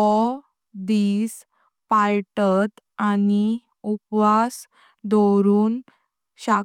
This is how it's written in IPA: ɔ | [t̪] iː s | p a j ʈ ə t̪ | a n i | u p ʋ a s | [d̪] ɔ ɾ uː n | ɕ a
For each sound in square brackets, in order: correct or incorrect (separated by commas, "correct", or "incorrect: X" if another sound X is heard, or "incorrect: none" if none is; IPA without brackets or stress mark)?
incorrect: d̪, correct